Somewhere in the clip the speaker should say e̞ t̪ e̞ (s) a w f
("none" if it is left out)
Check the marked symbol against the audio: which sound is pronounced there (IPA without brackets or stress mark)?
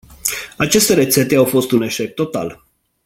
none